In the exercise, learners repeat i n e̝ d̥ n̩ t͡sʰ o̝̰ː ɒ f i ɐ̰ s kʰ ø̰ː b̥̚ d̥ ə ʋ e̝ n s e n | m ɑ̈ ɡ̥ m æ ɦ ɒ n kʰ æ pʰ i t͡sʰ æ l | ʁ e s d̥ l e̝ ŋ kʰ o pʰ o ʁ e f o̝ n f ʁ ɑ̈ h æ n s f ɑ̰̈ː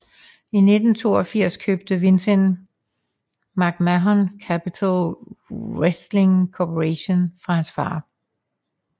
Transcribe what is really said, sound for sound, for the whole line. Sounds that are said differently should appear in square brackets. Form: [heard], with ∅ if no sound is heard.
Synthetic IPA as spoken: i n e̝ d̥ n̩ t͡sʰ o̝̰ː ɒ f i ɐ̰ s kʰ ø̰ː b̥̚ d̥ ə ʋ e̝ n s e n | m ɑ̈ ɡ̥ m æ ɦ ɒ n kʰ æ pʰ i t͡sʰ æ l | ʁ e s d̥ l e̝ ŋ kʰ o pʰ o ʁ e [ɕ] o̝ n f ʁ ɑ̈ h æ n s f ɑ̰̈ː

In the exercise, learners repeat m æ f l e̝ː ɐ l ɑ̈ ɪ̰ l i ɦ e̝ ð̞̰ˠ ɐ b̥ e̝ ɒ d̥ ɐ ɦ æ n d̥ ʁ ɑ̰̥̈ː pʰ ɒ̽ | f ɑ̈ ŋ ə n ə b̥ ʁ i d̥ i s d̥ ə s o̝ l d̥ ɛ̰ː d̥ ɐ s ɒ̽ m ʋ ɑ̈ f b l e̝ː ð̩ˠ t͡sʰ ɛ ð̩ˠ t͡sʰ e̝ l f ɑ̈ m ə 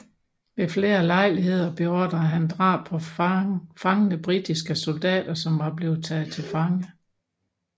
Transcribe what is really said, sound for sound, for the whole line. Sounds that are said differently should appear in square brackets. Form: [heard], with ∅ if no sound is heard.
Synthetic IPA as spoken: m [e] f l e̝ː ɐ l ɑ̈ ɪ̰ l i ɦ e̝ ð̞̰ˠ ɐ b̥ e̝ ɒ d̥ ɐ ɦ æ n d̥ ʁ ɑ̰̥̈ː pʰ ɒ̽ | f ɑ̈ ŋ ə n ə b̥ ʁ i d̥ i s [ɡ̥] ə s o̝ l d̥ ɛ̰ː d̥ ɐ s ɒ̽ m ʋ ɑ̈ [∅] b l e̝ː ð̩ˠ t͡sʰ ɛ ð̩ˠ t͡sʰ e̝ l f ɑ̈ [ŋ] ə

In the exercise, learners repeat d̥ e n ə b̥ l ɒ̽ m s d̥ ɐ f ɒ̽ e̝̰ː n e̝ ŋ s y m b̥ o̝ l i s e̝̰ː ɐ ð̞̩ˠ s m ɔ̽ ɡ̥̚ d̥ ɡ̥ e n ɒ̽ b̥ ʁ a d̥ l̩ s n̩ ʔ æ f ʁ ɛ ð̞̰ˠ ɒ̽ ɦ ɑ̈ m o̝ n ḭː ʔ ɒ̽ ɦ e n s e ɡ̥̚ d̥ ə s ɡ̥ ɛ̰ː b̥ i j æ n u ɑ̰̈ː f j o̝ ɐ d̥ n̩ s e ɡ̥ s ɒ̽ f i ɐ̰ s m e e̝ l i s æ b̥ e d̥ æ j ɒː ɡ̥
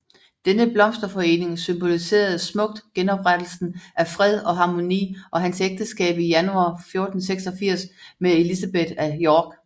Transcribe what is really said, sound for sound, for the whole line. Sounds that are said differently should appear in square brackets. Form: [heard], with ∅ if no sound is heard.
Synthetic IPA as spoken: d̥ e n ə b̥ l ɒ̽ m s d̥ ɐ f ɒ̽ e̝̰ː n e̝ ŋ s y m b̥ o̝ l i s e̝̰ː ɐ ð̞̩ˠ s m ɔ̽ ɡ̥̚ d̥ ɡ̥ e n ɒ̽ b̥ ʁ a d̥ l̩ s n̩ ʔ æ f ʁ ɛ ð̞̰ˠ ɒ̽ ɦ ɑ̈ m o̝ n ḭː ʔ ɒ̽ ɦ [æ] n s e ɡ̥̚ d̥ ə s ɡ̥ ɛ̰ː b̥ i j æ n u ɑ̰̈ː f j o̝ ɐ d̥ n̩ s e ɡ̥ s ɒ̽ f i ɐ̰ s m e e̝ l i s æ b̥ e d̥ æ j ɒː ɡ̥

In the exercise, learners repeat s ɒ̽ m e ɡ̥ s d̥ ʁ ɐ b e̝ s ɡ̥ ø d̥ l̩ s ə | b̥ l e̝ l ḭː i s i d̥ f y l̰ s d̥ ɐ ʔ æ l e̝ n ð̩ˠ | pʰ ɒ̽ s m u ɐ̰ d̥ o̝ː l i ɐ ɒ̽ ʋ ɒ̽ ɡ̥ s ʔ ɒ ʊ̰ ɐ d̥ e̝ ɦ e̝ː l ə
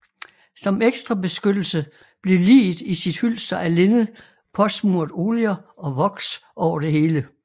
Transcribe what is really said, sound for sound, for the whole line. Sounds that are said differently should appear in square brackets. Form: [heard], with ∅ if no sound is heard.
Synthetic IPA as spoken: s ɒ̽ m e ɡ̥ s d̥ ʁ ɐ b e̝ s ɡ̥ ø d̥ l̩ s ə | b̥ l e̝ l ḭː i s i d̥ [h] y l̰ s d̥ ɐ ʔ æ l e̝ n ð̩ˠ | pʰ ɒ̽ s m u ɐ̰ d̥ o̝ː l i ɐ ɒ̽ ʋ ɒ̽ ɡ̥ s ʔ ɒ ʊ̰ ɐ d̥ e̝ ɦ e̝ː l ə

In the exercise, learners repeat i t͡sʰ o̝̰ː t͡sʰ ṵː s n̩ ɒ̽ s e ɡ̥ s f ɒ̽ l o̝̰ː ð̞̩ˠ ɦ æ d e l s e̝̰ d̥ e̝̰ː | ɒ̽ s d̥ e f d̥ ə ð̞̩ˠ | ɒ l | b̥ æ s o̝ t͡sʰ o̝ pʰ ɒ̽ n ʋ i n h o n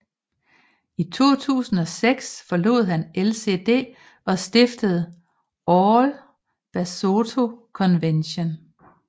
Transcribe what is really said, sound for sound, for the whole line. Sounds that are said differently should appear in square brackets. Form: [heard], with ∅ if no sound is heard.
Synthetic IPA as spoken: i t͡sʰ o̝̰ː t͡sʰ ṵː s n̩ ɒ̽ s e ɡ̥ s f ɒ̽ l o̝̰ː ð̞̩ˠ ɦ æ [n] e l s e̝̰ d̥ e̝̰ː | ɒ̽ s d̥ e f d̥ ə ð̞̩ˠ | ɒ l | b̥ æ s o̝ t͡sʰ o̝ [kʰ] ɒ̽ n ʋ [e] n [ɕ] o n

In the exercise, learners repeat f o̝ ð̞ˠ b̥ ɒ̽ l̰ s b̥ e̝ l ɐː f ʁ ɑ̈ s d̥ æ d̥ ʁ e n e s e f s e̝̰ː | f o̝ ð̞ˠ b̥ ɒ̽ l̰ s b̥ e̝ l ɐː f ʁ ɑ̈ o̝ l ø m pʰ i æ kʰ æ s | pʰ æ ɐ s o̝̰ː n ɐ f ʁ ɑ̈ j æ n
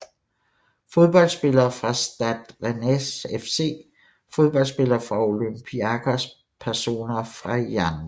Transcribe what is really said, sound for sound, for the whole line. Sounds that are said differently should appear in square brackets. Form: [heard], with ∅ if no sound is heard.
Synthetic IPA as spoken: f o̝ ð̞ˠ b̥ ɒ̽ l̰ s b̥ e̝ l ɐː f ʁ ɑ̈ s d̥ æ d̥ ʁ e n e s e f s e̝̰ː | f o̝ ð̞ˠ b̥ ɒ̽ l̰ s b̥ e̝ l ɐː f ʁ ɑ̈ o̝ l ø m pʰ i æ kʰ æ s | pʰ æ ɐ s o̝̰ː n ɐ f ʁ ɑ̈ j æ n

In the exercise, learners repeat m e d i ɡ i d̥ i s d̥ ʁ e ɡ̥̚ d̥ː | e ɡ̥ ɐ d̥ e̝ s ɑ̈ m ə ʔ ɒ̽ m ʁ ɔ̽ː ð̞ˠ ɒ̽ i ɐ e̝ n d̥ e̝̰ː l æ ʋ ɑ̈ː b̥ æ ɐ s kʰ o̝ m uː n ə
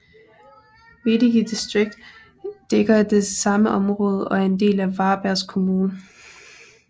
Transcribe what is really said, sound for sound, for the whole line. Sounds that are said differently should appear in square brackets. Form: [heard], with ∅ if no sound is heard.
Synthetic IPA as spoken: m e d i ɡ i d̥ i s d̥ ʁ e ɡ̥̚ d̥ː | e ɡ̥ ɐ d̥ e̝ s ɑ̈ m ə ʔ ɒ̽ m ʁ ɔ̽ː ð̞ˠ ɒ̽ [æ] ɐ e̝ n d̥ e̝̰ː l æ ʋ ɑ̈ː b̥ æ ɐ s kʰ o̝ m uː n ə

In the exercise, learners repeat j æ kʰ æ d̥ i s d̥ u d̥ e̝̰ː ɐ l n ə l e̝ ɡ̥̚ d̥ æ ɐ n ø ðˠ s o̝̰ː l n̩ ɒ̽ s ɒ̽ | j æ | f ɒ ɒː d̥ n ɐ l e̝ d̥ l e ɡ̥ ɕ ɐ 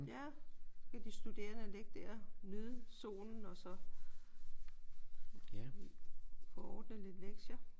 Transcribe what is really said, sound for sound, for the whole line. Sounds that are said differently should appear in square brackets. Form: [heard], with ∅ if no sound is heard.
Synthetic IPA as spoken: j æ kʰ æ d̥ i s d̥ u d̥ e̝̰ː ɐ [∅] n ə l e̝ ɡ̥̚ d̥ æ ɐ n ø ðˠ s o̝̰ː l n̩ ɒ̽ s ɒ̽ | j æ | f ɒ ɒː d̥ n [ə] l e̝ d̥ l e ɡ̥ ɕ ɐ

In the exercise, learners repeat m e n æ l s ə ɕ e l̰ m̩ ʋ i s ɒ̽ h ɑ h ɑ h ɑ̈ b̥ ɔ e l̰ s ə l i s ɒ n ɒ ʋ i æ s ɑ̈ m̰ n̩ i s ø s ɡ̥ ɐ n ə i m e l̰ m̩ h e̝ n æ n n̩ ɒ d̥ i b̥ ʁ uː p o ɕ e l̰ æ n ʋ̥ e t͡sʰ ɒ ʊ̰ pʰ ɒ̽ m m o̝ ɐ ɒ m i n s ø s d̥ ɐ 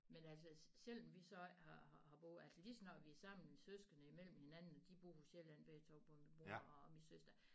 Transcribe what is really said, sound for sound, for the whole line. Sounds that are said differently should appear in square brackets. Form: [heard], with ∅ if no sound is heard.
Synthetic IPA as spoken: m e n æ l s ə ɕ e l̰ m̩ ʋ i s ɒ̽ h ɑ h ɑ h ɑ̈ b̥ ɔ [æ] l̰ s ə l i s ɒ n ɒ ʋ i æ s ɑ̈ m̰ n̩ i s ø s ɡ̥ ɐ n ə i m e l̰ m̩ h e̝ n æ n n̩ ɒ d̥ i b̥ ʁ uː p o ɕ e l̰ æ n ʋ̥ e t͡sʰ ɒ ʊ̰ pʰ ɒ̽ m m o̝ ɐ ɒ m i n s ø s d̥ ɐ

